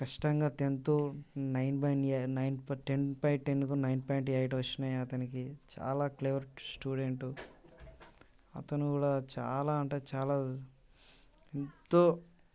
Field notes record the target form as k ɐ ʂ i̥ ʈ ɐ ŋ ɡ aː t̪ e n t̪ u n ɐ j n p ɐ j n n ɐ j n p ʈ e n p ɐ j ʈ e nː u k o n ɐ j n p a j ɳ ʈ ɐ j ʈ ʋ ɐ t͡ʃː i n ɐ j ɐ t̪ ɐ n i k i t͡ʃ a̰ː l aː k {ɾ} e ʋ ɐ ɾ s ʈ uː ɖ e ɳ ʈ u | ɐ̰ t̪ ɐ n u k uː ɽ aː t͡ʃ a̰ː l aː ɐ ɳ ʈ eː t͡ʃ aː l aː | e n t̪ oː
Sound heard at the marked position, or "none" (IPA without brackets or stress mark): l